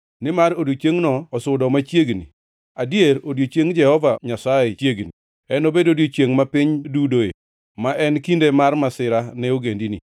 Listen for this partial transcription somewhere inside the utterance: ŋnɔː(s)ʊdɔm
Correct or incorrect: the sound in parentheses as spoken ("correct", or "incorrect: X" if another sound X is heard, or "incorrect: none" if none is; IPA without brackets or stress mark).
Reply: correct